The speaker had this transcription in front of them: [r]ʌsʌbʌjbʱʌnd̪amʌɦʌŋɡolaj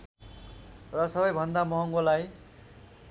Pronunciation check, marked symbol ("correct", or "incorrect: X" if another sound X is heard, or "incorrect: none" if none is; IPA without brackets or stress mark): correct